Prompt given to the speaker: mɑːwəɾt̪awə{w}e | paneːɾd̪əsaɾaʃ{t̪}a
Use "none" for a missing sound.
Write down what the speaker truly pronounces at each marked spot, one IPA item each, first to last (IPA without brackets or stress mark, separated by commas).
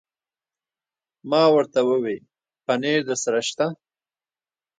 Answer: w, t̪